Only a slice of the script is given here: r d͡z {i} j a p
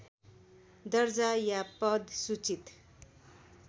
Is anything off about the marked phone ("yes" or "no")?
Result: yes